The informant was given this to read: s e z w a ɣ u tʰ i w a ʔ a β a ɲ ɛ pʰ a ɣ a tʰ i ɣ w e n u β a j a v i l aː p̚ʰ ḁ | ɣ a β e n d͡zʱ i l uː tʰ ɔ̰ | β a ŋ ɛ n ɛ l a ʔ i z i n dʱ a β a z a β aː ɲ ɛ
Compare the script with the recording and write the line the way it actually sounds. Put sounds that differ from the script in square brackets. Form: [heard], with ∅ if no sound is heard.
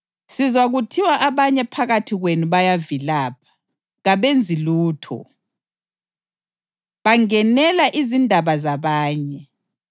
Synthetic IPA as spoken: s [i] z w a ɣ u tʰ i w a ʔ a β a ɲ ɛ pʰ a ɣ a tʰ i ɣ w e n u β a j a v i l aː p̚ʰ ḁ | ɣ a β e n d͡zʱ i l uː tʰ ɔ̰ | β a ŋ ɛ n ɛ l a ʔ i z i n dʱ a β a z a β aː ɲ ɛ